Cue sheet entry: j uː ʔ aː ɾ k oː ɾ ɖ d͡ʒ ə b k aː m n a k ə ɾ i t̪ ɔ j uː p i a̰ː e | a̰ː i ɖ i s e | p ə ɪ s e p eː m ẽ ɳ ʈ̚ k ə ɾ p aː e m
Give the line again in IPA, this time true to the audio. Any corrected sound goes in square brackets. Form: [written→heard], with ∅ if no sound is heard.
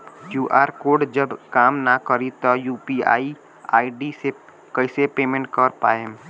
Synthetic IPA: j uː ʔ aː ɾ k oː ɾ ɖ d͡ʒ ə b k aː m n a k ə ɾ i t̪ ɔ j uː p i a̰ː [e→i] | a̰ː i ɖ i s e | [p→k] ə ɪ s e p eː m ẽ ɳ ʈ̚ k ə ɾ p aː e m